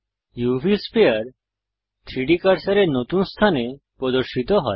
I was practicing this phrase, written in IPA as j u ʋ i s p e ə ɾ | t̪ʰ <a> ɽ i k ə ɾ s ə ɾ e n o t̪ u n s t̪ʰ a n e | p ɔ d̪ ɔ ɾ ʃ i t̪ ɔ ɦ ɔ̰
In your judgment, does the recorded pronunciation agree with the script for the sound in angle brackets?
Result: no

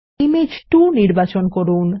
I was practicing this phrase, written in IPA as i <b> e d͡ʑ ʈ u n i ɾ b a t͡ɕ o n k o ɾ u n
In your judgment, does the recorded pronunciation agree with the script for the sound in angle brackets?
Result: no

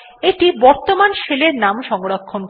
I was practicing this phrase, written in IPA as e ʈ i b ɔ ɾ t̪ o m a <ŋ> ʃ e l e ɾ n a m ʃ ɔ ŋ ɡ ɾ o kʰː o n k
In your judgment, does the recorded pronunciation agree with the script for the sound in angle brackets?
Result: no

